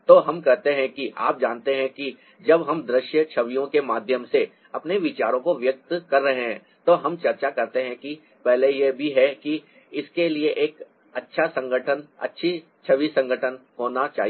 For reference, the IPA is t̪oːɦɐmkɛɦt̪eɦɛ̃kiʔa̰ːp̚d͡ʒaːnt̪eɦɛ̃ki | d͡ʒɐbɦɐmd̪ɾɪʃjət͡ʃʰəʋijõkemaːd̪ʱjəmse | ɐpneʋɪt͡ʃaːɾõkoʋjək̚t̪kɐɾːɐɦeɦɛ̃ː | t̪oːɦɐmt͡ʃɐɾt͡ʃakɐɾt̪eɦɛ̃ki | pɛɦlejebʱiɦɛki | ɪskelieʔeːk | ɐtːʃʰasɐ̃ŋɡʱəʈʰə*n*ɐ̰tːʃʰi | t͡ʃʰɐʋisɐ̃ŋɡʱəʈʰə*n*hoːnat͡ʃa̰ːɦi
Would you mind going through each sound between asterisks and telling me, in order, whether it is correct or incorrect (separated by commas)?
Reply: correct, correct